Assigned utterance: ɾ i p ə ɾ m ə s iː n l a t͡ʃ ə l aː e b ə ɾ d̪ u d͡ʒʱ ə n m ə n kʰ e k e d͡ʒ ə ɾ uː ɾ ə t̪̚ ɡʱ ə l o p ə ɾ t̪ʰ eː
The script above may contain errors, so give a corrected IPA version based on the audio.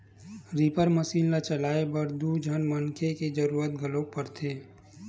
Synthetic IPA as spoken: ɾ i p ə ɾ m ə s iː n l a t͡ʃ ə l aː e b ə ɾ d̪ u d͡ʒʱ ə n m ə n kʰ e k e d͡ʒ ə ɾ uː ɾ ə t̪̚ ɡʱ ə l o p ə ɾ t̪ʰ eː